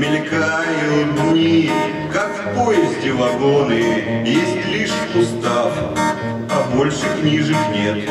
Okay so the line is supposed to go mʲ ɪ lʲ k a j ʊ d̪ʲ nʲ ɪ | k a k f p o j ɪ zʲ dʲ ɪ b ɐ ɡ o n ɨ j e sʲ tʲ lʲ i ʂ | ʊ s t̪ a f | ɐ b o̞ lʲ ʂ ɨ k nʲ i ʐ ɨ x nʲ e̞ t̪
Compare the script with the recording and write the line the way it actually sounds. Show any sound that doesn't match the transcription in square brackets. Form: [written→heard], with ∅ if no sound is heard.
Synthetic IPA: mʲ ɪ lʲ k a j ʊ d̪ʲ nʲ [ɪ→i] | k a k f p o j ɪ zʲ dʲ ɪ [b→v] ɐ ɡ o n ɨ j e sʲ tʲ lʲ i ʂ | ʊ s t̪ a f | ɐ b o̞ lʲ ʂ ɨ k nʲ i ʐ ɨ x nʲ e̞ t̪